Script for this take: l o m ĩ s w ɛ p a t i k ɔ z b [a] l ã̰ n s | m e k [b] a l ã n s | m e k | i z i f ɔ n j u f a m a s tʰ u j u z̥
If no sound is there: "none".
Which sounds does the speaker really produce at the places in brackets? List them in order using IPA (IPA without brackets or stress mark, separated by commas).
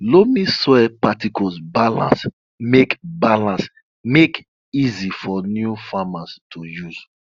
a, b